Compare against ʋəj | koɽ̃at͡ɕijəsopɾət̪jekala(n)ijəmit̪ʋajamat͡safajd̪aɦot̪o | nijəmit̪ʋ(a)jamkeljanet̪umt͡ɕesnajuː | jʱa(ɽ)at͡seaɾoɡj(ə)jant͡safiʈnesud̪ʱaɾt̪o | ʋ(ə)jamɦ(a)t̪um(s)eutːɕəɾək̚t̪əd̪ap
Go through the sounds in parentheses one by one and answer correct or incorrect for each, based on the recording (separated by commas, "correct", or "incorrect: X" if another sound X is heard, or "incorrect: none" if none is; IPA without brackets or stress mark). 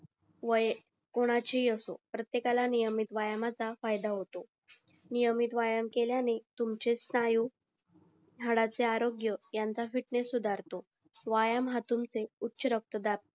correct, correct, correct, correct, incorrect: a, correct, incorrect: t͡s